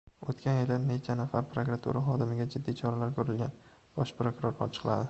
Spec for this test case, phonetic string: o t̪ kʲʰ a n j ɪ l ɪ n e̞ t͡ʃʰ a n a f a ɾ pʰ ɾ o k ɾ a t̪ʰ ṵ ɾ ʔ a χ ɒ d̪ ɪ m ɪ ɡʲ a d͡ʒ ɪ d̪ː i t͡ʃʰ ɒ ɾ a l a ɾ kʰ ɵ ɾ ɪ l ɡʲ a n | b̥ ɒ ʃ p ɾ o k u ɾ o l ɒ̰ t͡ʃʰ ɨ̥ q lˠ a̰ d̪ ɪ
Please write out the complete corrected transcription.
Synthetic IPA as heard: o t̪ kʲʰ a n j ɪ l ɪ n e̞ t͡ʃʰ a n a f a ɾ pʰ ɾ o k ɾ a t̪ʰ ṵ ɾ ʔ a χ ɒ d̪ ɪ m ɪ ɡʲ a d͡ʒ ɪ d̪ː i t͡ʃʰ ɒ ɾ a l a ɾ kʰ ɵ ɾ ɪ l ɡʲ a n | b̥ ɒ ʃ p ɾ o k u ɾ o ɾ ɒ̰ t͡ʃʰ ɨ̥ q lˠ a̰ d̪ ɪ